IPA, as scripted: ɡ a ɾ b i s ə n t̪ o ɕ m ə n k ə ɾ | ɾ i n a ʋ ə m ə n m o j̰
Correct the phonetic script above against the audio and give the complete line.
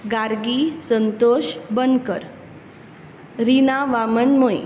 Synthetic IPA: ɡ a ɾ ɡ i s ə n t̪ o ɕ b ə n k ə ɾ | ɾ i n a ʋ a m ə n m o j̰